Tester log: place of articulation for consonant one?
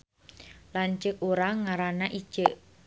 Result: alveolar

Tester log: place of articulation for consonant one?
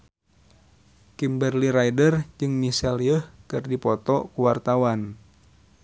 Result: velar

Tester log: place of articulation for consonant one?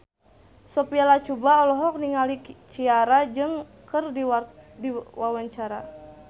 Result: alveolar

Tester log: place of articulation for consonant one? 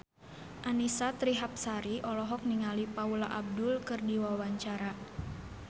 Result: glottal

